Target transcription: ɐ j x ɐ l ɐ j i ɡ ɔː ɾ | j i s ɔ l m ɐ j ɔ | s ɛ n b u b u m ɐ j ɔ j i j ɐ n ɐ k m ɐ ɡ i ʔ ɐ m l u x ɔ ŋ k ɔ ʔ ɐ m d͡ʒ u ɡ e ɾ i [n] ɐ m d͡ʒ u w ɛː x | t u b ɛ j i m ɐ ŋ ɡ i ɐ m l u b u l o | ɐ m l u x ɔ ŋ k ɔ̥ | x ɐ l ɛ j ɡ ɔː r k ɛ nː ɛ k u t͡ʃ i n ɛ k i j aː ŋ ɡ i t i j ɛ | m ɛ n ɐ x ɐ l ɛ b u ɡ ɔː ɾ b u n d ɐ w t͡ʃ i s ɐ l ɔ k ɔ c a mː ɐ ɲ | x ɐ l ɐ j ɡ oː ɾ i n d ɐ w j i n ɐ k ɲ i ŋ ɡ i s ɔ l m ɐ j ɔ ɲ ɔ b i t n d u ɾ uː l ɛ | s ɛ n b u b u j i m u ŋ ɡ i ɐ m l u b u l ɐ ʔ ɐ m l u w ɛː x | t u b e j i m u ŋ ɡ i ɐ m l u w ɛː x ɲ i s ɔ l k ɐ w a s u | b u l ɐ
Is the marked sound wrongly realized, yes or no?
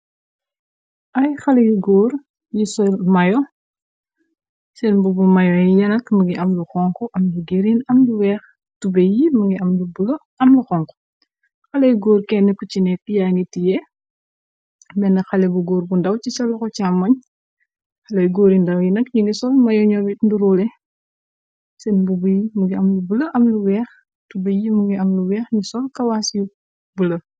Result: no